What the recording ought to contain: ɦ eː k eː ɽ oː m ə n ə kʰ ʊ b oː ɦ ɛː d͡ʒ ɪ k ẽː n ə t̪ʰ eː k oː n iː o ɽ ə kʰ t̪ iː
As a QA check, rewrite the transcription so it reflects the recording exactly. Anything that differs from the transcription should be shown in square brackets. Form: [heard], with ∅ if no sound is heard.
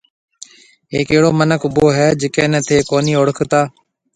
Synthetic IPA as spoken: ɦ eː k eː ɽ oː m ə n ə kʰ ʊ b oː ɦ ɛː d͡ʒ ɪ k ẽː n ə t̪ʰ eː k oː n iː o ɽ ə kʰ t̪ [aː]